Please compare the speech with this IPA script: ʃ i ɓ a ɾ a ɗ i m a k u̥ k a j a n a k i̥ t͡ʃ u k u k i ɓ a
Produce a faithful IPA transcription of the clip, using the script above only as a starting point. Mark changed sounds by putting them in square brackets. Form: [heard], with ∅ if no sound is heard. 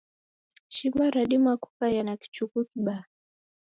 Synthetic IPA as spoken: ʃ i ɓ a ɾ a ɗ i m a k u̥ k a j a n a k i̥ t͡ʃ u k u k i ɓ a

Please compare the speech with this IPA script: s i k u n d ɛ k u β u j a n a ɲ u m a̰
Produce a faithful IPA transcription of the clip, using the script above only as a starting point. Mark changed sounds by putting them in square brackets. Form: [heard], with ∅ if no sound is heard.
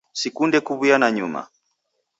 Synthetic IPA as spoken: s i k u n d ɛ k u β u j a n a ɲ u m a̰

